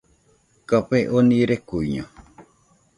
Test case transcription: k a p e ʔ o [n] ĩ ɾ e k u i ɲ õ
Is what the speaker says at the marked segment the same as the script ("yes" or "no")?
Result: yes